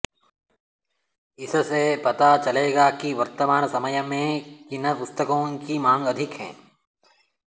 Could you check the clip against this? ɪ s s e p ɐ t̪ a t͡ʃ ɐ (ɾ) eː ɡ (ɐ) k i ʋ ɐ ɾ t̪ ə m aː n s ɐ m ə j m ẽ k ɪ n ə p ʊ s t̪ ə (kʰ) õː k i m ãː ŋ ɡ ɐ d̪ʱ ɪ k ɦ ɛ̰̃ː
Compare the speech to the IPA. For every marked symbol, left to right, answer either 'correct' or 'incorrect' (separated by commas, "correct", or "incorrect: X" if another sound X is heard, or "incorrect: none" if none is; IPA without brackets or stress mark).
incorrect: l, incorrect: a, incorrect: k